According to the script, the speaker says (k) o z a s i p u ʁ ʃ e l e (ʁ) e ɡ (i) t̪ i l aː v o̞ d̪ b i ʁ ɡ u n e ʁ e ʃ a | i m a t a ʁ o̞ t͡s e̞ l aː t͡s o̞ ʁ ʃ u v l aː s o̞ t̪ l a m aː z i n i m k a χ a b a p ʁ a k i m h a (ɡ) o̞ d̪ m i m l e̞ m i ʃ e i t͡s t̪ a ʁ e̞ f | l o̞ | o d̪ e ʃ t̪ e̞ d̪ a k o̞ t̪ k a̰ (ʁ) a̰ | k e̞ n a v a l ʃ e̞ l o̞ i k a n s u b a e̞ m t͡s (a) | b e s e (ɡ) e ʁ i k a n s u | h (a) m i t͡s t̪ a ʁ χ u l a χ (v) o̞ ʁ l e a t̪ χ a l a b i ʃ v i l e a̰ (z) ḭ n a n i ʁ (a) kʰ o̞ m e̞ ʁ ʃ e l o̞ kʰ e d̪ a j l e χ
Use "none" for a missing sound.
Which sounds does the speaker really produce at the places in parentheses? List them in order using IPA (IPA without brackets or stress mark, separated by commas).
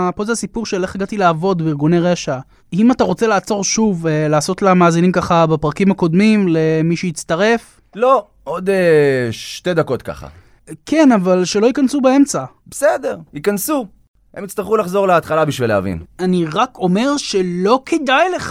p, χ, a, k, χ, a, d, e, z, v, a